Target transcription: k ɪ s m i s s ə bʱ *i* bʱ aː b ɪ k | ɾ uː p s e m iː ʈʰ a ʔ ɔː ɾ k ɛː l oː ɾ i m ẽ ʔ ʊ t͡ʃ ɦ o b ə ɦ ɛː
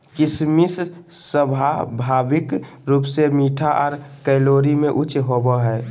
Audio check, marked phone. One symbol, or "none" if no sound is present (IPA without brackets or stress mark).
a